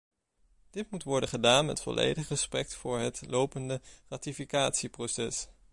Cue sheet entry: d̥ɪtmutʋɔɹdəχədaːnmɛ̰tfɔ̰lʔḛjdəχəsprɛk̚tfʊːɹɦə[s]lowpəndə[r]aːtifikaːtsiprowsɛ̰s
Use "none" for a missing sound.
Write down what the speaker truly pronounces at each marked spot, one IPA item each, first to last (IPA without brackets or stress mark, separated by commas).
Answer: t, r